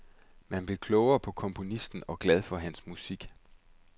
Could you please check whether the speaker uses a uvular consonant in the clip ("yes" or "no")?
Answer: no